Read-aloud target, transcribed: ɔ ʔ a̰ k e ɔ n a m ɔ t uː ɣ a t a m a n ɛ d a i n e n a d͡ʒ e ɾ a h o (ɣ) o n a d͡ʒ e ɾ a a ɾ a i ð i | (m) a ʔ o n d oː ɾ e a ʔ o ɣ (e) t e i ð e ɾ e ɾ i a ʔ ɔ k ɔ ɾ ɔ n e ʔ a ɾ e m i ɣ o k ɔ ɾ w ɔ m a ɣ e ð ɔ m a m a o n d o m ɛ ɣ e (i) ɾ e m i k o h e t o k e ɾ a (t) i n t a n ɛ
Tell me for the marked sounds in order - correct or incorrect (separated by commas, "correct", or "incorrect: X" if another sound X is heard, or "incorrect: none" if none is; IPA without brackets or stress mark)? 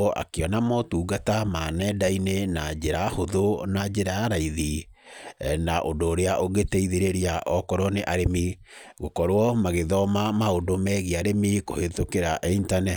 incorrect: ð, incorrect: n, correct, incorrect: a, incorrect: ʔ